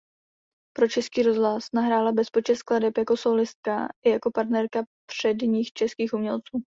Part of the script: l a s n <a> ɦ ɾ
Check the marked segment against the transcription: correct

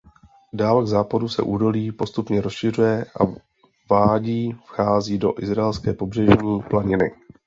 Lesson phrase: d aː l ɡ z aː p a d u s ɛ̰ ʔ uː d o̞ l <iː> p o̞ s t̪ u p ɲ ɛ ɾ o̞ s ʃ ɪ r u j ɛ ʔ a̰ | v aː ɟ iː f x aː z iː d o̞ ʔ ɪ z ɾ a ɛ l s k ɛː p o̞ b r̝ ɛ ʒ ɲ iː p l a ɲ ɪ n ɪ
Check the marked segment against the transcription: correct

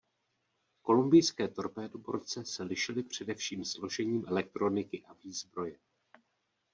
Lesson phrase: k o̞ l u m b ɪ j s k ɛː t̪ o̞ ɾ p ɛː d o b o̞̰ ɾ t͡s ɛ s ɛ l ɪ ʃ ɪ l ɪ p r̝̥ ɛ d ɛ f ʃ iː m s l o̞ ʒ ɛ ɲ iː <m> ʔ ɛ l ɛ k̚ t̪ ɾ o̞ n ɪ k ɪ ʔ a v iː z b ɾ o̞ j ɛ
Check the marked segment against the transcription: correct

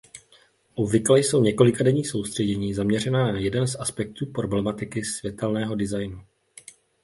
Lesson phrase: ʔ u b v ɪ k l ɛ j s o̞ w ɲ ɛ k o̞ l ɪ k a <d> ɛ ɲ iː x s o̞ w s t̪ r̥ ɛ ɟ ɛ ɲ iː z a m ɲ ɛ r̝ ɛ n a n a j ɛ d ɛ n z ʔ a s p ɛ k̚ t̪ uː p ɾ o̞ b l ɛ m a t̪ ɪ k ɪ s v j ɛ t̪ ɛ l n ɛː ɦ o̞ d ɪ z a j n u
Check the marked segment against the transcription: correct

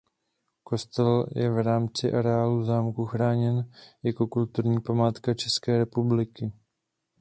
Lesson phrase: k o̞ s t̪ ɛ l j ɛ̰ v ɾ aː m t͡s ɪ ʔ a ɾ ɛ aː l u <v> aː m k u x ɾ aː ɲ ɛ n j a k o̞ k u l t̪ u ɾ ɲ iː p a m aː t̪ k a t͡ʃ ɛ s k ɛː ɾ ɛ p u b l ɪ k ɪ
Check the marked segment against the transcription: incorrect: z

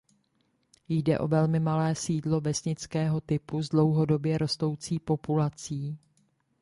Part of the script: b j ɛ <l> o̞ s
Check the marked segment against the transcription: incorrect: ɾ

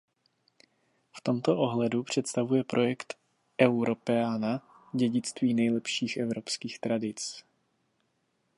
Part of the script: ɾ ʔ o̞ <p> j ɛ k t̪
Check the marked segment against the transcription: incorrect: none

